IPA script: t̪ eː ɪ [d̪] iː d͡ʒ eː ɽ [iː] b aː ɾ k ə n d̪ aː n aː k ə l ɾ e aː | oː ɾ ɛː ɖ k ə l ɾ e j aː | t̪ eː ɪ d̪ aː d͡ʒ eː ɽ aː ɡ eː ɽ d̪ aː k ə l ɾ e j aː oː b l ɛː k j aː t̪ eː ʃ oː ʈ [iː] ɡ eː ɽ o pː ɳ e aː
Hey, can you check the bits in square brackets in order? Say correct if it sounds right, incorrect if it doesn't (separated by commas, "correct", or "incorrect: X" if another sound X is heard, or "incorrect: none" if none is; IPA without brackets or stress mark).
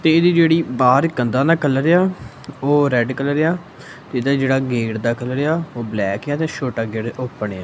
correct, correct, incorrect: aː